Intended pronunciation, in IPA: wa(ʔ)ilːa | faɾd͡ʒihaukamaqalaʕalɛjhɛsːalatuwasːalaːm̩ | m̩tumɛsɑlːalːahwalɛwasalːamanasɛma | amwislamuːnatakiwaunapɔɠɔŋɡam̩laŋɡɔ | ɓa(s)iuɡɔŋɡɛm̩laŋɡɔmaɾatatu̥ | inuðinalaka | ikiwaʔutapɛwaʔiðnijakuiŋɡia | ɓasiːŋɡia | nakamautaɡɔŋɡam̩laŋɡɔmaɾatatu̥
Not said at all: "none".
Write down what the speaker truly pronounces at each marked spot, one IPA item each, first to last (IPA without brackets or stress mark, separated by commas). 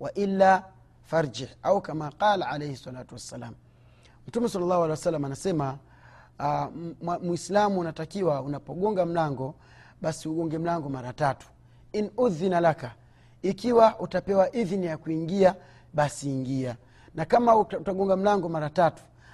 ʔ, s